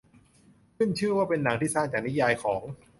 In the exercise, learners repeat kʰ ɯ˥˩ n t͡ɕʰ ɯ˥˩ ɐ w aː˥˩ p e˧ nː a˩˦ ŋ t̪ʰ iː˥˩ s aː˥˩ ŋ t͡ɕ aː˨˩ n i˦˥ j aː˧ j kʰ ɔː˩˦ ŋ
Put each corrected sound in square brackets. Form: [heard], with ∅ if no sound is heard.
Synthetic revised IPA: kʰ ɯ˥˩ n t͡ɕʰ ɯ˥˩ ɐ w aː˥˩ p e˧ nː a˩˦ ŋ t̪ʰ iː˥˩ s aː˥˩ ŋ t͡ɕ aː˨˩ n i˦˥ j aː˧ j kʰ ɔː˩˦ ŋ